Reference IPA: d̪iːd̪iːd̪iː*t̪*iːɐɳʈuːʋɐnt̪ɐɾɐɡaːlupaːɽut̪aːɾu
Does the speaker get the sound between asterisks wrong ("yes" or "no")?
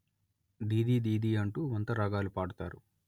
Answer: yes